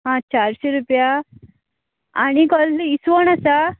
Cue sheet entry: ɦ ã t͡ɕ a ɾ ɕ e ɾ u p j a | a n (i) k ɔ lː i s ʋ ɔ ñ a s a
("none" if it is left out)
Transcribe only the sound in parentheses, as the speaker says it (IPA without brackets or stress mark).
i